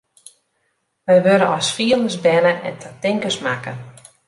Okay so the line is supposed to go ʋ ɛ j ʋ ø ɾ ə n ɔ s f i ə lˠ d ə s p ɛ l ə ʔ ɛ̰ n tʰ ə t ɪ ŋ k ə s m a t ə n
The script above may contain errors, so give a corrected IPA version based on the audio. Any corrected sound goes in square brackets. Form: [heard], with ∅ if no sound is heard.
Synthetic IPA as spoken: ʋ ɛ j ʋ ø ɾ ə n ɔ s f i ə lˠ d ə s [b] ɛ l ə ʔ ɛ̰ n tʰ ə t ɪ ŋ k ə s m a [k] ə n